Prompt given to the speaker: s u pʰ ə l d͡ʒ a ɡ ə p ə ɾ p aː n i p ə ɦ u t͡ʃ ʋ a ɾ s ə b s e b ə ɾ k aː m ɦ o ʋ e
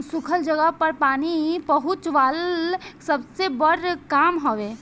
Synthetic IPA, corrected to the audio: s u kʰ ə l d͡ʒ ə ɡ ə p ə ɾ p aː n i p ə ɦ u t͡ʃ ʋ a l s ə b s e b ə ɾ k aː m ɦ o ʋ e